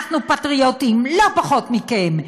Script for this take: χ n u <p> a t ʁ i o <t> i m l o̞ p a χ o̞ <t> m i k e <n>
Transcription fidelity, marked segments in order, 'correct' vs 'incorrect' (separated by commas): correct, correct, correct, incorrect